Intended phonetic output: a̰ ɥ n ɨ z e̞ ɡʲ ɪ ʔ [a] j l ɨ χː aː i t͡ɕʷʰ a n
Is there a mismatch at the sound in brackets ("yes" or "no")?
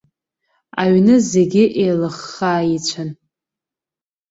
yes